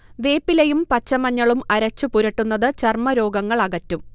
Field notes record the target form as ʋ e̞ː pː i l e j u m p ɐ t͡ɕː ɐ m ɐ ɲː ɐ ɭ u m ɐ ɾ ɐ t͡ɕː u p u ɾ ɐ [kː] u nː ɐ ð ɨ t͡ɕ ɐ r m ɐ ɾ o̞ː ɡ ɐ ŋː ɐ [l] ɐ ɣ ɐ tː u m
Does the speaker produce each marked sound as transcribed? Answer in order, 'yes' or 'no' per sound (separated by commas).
no, no